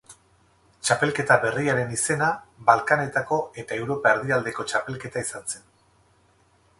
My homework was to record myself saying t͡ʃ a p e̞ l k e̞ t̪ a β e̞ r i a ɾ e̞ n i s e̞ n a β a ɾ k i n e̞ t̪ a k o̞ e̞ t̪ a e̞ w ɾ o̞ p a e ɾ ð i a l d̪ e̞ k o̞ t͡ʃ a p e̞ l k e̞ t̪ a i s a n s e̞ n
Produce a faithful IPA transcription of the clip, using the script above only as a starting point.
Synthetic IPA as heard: t͡ʃ a p e̞ l k e̞ t̪ a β e̞ r i a ɾ e̞ n i s e̞ n a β a l k a n e̞ t̪ a k o̞ e̞ t̪ a e̞ w ɾ o̞ p a e ɾ ð i a l d̪ e̞ k o̞ t͡ʃ a p e̞ l k e̞ t̪ a i s a n s e̞ n